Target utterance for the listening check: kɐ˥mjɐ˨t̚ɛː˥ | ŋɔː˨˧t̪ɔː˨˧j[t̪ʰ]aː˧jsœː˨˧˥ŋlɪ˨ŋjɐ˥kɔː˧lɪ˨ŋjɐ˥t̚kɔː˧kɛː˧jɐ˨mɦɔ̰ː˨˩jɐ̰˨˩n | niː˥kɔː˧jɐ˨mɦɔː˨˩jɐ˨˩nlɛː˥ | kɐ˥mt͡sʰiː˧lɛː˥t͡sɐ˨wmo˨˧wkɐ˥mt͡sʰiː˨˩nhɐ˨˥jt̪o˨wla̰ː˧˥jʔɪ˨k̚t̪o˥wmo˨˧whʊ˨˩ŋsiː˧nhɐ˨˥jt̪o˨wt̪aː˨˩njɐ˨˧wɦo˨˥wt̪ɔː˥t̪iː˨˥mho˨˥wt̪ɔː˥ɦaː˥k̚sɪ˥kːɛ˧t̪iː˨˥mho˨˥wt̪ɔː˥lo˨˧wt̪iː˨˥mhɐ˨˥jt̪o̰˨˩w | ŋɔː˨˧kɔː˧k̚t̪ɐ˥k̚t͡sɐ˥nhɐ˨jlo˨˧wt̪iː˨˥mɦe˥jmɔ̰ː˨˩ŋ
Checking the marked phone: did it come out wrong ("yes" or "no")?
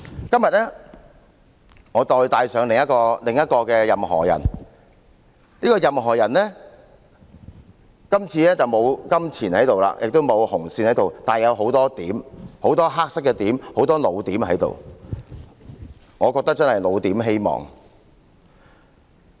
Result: yes